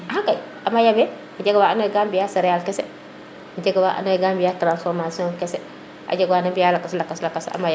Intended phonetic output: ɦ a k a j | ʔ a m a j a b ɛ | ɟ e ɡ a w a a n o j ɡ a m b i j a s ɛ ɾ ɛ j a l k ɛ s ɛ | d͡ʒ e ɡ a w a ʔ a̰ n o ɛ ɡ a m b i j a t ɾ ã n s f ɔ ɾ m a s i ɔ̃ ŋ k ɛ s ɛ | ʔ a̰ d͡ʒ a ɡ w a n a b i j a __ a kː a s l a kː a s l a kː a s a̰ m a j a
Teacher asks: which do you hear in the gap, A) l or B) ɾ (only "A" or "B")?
A